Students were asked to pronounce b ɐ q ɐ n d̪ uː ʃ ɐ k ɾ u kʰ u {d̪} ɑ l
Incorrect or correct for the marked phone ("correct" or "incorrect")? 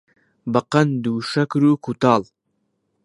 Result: incorrect